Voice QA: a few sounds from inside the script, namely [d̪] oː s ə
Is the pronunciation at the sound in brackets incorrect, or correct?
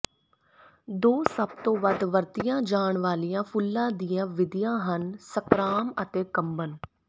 correct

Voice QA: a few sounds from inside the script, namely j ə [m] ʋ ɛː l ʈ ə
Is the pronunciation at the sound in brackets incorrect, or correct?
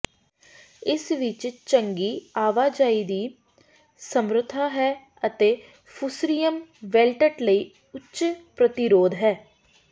correct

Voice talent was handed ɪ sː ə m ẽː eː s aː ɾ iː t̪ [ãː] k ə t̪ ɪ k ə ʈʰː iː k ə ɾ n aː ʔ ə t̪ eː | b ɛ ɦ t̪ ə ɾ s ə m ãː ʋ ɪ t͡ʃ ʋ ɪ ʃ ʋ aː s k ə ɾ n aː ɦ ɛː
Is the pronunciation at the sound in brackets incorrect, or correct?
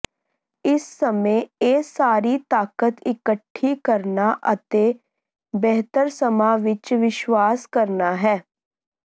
incorrect: aː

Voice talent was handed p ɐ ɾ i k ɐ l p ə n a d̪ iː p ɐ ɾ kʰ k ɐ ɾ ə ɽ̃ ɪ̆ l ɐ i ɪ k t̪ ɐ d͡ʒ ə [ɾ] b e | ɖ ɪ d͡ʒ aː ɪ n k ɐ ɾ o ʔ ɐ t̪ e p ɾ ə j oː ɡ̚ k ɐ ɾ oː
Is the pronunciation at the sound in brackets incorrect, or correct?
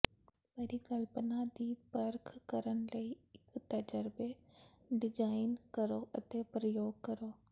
correct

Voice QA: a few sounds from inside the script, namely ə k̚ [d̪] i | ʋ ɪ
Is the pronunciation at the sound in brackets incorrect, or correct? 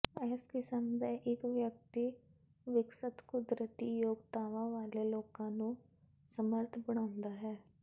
incorrect: t̪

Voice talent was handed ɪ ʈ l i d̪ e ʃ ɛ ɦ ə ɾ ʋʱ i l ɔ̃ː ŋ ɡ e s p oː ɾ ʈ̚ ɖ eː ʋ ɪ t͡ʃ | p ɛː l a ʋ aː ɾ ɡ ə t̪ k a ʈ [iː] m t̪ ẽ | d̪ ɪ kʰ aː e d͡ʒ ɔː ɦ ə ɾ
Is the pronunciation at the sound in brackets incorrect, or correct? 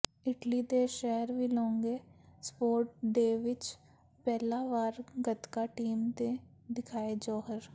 correct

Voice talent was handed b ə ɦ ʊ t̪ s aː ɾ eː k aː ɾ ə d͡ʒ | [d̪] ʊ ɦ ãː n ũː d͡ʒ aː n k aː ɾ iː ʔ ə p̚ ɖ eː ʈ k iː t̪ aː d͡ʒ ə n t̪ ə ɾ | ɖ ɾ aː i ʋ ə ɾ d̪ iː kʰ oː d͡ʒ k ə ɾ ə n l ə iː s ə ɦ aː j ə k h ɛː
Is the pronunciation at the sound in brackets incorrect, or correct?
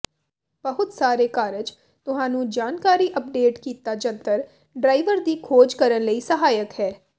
incorrect: t̪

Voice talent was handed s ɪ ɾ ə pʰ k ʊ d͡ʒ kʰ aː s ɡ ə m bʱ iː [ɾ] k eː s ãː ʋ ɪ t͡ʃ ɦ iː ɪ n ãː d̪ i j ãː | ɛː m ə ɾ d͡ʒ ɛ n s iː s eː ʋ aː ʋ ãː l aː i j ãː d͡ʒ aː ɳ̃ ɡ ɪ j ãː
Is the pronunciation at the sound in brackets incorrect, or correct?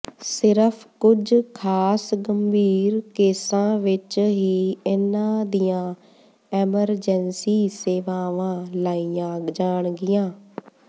correct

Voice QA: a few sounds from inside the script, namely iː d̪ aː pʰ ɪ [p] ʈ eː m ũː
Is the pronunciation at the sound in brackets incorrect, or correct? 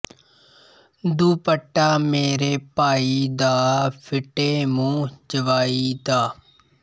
incorrect: none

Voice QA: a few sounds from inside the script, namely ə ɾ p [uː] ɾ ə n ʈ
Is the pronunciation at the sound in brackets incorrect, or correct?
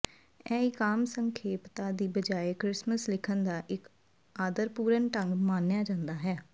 correct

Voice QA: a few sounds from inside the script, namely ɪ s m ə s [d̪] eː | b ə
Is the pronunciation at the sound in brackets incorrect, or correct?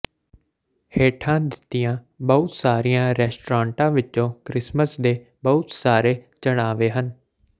correct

